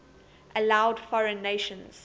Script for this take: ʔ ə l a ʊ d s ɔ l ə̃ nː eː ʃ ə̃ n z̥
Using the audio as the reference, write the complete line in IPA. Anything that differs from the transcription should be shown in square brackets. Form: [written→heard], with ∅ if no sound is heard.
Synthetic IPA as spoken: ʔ ə l a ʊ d [s→f] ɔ [l→ɹ] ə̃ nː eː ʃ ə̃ n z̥